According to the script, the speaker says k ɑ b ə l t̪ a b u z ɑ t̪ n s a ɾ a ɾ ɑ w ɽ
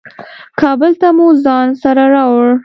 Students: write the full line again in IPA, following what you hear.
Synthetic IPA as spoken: k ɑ b ə l t̪ a m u z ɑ n s a ɾ a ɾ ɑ w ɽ